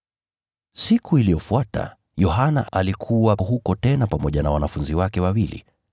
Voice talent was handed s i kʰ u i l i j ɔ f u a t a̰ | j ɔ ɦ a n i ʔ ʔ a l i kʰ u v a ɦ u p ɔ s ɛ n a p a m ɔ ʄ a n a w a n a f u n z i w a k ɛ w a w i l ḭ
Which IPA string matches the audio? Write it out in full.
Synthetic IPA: s i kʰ u i l i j ɔ f u a t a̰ | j ɔ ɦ a n a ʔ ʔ a l i kʰ u w a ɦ u k ɔ t ɛ n a p a m ɔ ʄ a n a w a n a f u n z i w a k ɛ w a w i l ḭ